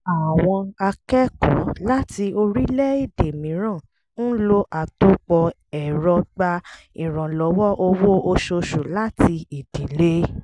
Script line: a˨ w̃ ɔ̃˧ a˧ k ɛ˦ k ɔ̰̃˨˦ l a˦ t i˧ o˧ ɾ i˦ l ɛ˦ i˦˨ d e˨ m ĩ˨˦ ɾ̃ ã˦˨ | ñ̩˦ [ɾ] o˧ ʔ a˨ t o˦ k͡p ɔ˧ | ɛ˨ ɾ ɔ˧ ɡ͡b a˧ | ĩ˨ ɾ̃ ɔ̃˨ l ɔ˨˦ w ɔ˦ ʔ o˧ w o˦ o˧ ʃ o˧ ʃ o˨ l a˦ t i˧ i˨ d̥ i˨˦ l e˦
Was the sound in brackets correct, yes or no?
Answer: no